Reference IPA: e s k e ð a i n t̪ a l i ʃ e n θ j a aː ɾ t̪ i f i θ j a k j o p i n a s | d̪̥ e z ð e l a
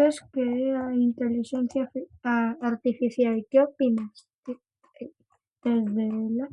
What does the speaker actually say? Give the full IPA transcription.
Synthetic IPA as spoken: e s k e a i n t̪ e l i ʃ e n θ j a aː ɾ t̪ i f i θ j a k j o p i n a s | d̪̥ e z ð e l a